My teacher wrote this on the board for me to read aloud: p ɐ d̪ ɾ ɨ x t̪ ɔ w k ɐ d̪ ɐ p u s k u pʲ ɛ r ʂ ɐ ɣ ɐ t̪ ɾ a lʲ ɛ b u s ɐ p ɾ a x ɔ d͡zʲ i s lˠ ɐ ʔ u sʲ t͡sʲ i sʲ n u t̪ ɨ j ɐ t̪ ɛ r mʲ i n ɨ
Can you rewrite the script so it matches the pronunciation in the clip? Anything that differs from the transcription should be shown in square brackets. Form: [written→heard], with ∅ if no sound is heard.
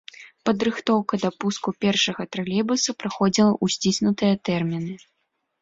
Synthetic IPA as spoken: p ɐ d̪ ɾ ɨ x t̪ ɔ w k ɐ d̪ ɐ p u s k u pʲ ɛ r ʂ ɐ ɣ ɐ t̪ ɾ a lʲ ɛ b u s ɐ p ɾ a x ɔ d͡zʲ i [s→∅] lˠ ɐ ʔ u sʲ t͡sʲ i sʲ n u t̪ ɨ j ɐ t̪ ɛ r mʲ i n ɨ

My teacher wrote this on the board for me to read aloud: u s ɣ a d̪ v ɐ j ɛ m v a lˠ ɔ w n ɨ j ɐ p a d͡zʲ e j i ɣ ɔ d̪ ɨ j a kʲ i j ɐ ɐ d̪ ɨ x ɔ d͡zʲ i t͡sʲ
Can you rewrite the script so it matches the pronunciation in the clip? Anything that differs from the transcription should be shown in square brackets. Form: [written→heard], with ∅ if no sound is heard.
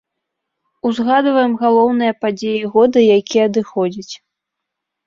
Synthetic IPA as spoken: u [s→z] ɣ a d̪ v ɐ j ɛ m [v→ɣ] a lˠ ɔ w n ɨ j ɐ p a d͡zʲ e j i ɣ ɔ d̪ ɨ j a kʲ i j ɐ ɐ d̪ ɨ x ɔ d͡zʲ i t͡sʲ

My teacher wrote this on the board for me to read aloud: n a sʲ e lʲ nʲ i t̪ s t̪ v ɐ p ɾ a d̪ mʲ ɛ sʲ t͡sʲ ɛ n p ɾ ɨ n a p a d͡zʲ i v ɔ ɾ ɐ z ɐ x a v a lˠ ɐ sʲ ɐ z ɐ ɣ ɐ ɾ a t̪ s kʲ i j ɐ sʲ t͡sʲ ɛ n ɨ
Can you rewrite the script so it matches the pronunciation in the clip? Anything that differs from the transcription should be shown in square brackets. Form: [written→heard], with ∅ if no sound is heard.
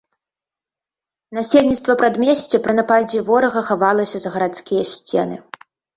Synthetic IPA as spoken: n a sʲ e lʲ nʲ i t̪ s t̪ v ɐ p ɾ a d̪ mʲ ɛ sʲ t͡sʲ ɛ [n→∅] p ɾ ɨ n a p a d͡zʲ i v ɔ ɾ ɐ [z→ɣ] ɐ x a v a lˠ ɐ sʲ ɐ z ɐ ɣ ɐ ɾ a t̪ s kʲ i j ɐ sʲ t͡sʲ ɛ n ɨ

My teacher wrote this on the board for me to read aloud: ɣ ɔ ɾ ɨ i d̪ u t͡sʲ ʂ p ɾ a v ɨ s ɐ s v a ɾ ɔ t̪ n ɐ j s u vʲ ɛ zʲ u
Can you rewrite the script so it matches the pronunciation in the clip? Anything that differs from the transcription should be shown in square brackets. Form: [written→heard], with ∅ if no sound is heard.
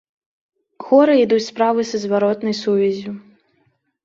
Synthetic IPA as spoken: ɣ ɔ ɾ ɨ i d̪ u t͡sʲ [ʂ→s] p ɾ a v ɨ s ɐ [s→z] v a ɾ ɔ t̪ n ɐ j s u vʲ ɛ zʲ u

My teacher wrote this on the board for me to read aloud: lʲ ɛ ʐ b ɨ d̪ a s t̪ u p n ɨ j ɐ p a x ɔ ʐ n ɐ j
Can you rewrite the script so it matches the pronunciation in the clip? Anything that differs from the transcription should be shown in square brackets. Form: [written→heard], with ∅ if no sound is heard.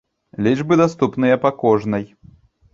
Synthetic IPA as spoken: lʲ [ɛ→i] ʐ b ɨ d̪ a s t̪ u p n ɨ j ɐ p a [x→k] ɔ ʐ n ɐ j

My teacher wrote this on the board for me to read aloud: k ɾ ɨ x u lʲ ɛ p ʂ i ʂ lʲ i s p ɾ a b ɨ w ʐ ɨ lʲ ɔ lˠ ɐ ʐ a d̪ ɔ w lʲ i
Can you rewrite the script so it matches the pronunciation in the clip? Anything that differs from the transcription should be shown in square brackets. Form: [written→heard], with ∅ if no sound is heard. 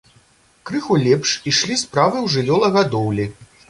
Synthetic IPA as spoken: k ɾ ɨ x u lʲ ɛ p ʂ i ʂ lʲ i s p ɾ a [b→v] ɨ w ʐ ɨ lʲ ɔ lˠ ɐ [ʐ→ɣ] a d̪ ɔ w lʲ i

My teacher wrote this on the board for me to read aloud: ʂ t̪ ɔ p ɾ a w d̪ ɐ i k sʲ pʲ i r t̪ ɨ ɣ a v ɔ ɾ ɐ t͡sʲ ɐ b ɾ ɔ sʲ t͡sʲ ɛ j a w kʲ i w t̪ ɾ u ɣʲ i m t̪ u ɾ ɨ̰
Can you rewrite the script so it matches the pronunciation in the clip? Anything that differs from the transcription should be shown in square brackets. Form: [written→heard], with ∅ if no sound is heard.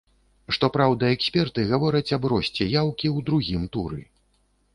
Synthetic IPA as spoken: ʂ t̪ ɔ p ɾ a w d̪ ɐ [i→ɛ] k sʲ pʲ [i→ɛ] r t̪ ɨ ɣ a v ɔ ɾ ɐ t͡sʲ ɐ b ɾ ɔ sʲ t͡sʲ ɛ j a w kʲ i w [t̪→d̪] ɾ u ɣʲ i m t̪ u ɾ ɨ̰

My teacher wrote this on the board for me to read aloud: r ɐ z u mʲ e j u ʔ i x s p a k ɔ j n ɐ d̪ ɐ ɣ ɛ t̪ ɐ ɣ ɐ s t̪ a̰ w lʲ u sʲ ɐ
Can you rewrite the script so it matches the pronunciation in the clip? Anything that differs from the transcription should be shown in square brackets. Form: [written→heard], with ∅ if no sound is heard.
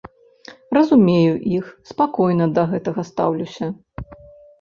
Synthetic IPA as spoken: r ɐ z u mʲ e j u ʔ i x s p a k ɔ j n ɐ d̪ ɐ ɣ ɛ t̪ ɐ ɣ ɐ s t̪ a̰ w lʲ u sʲ ɐ

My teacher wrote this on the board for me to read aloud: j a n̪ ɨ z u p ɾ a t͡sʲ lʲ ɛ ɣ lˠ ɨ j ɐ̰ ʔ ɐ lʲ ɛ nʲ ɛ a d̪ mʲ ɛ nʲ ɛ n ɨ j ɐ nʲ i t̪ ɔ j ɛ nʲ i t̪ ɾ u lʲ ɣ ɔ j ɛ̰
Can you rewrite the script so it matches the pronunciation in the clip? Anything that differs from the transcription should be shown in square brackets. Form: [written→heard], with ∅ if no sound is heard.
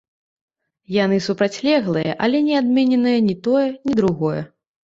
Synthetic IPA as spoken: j a n̪ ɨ [z→s] u p ɾ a t͡sʲ lʲ ɛ ɣ lˠ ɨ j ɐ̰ ʔ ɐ lʲ ɛ nʲ ɛ a d̪ mʲ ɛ nʲ ɛ n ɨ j ɐ nʲ i t̪ ɔ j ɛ nʲ i [t̪→d̪] ɾ u [lʲ→∅] ɣ ɔ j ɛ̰

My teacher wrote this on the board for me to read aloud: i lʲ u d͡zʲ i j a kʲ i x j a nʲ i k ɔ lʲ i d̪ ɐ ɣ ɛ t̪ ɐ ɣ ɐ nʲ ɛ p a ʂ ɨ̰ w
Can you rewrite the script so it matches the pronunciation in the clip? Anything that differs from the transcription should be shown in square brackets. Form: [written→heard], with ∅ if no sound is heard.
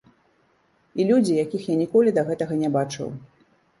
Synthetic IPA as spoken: i lʲ u d͡zʲ i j a kʲ i x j a nʲ i k ɔ lʲ i d̪ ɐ ɣ ɛ t̪ ɐ ɣ ɐ nʲ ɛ [p→b] a [ʂ→t͡ʂ] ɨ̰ w

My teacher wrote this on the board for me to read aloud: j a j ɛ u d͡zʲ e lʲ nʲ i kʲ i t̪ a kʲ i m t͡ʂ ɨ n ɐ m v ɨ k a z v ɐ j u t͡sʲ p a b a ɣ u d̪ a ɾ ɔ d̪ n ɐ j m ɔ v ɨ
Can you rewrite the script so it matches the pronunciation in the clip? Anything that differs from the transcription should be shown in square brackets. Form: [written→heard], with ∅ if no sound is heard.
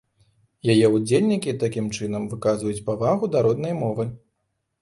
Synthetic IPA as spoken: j a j ɛ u d͡zʲ e lʲ nʲ i kʲ i t̪ a kʲ i m t͡ʂ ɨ n ɐ m v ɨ k a z v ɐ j u t͡sʲ p a [b→v] a ɣ u d̪ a ɾ ɔ d̪ n ɐ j m ɔ v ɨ

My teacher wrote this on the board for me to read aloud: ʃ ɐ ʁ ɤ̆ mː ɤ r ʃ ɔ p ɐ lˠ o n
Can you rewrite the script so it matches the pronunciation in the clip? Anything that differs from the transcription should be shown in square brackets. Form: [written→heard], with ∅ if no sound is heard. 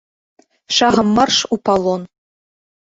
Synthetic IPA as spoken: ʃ [ɐ→ɑ] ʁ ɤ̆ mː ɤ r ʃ [ɔ→u] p [ɐ→ɑ] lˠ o n

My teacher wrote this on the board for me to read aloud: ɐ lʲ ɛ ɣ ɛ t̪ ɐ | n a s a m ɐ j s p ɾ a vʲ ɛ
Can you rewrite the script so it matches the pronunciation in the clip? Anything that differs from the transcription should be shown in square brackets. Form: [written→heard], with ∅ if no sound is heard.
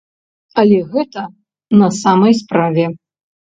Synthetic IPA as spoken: ɐ lʲ ɛ ɣ ɛ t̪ ɐ | n [a→ɐ] s a m ɐ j s p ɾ a vʲ ɛ

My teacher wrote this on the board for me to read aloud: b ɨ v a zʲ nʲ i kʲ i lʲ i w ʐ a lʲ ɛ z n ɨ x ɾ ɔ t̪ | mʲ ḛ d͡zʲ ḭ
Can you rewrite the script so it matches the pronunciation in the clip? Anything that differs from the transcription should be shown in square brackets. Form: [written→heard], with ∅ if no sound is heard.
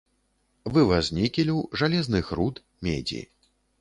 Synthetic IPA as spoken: [b→v] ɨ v a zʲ nʲ i kʲ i lʲ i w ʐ a lʲ ɛ z n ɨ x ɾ [ɔ→u] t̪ | mʲ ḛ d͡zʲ ḭ

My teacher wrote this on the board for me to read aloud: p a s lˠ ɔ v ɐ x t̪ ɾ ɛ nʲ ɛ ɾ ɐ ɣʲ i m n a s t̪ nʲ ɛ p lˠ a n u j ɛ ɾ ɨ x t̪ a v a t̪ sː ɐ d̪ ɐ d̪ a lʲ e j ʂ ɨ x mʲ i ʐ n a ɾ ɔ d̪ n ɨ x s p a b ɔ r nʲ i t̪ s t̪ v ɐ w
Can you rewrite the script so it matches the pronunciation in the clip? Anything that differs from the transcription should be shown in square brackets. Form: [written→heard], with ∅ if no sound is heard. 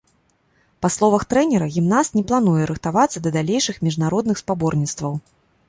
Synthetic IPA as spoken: p a s lˠ ɔ v ɐ x t̪ ɾ ɛ nʲ ɛ ɾ ɐ ɣʲ i m n a s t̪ nʲ ɛ p lˠ a n u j ɛ ɾ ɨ x t̪ a v a t̪ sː ɐ d̪ ɐ d̪ a lʲ e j ʂ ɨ x mʲ i ʐ n a ɾ ɔ d̪ n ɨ x s p a b ɔ r nʲ i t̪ s t̪ v ɐ w

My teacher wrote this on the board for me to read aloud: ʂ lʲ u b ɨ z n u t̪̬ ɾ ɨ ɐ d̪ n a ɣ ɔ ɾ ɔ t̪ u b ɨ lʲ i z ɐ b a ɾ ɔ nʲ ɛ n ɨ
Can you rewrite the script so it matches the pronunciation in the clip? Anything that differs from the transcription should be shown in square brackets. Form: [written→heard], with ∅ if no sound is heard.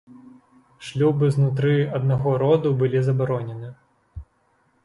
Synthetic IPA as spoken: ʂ lʲ u b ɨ z n u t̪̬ ɾ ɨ ɐ d̪ n a ɣ ɔ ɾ ɔ [t̪→d̪] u b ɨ lʲ i z ɐ b a ɾ ɔ nʲ ɛ n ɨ

